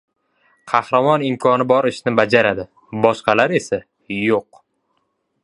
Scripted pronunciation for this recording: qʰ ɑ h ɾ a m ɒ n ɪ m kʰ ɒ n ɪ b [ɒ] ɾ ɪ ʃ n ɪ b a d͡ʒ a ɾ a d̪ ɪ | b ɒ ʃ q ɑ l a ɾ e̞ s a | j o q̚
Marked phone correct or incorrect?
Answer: correct